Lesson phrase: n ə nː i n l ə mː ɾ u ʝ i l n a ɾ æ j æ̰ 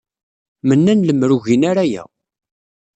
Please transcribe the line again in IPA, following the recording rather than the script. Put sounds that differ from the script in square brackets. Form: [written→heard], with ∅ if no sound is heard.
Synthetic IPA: [n→m] ə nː [i→æ] n l ə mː ɾ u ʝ i [l→∅] n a ɾ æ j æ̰